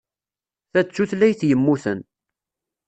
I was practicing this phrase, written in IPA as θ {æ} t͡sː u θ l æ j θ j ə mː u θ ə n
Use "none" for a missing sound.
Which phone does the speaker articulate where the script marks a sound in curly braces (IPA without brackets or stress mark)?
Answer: æ